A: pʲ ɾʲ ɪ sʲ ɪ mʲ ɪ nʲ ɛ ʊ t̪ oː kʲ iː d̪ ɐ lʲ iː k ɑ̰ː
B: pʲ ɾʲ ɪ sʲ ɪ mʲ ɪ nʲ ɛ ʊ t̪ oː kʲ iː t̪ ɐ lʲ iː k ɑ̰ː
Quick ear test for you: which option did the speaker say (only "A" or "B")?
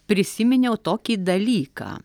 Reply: A